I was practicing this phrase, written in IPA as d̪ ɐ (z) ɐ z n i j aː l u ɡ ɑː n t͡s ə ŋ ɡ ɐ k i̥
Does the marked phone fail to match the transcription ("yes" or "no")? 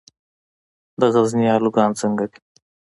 yes